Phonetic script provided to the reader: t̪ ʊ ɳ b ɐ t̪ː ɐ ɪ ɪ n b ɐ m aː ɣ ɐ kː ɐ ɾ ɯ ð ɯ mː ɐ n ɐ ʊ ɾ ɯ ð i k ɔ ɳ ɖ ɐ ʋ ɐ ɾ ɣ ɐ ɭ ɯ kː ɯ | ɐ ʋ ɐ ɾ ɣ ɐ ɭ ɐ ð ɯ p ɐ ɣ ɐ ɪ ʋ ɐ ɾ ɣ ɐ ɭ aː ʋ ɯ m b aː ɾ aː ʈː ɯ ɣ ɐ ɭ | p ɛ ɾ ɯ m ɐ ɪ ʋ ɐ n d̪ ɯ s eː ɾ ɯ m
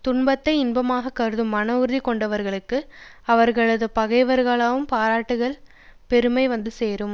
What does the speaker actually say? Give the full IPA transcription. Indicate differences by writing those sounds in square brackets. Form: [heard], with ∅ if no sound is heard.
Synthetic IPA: t̪ ʊ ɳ b ɐ t̪ː ɐ ɪ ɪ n b ɐ m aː ɣ ɐ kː ɐ ɾ ɯ ð ɯ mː ɐ n ɐ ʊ ɾ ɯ ð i k ɔ ɳ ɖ ɐ ʋ ɐ ɾ ɣ ɐ ɭ ɯ kː ɯ | ɐ ʋ ɐ ɾ ɣ ɐ ɭ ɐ ð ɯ p ɐ ɣ ɐ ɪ ʋ ɐ ɾ ɣ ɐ ɭ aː ʋ ɯ m [p] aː ɾ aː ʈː ɯ ɣ ɐ ɭ | p ɛ ɾ ɯ m ɐ ɪ ʋ ɐ n d̪ ɯ s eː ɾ ɯ m

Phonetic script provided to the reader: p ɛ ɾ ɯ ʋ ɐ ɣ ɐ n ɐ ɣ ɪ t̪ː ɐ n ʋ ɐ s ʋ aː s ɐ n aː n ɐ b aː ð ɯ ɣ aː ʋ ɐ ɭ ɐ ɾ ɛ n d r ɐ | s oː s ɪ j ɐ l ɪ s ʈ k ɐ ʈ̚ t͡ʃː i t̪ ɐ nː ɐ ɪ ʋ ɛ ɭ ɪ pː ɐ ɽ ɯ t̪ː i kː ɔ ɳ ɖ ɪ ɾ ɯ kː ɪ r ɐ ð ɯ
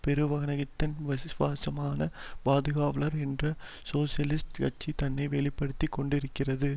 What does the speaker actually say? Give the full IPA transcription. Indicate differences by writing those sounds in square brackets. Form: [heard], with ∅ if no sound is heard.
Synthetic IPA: p ɛ ɾ ɯ ʋ ɐ ɣ ɐ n ɐ ɣ ɪ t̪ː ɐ n ʋ ɐ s ʋ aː s ɐ [m] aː n ɐ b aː ð ɯ ɣ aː ʋ ɐ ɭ ɐ ɾ ɛ n d r ɐ | s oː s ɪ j ɐ l ɪ s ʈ k ɐ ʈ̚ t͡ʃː i t̪ ɐ nː ɐ ɪ ʋ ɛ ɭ ɪ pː ɐ ɽ ɯ t̪ː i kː ɔ ɳ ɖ ɪ ɾ ɯ kː ɪ r ɐ ð ɯ

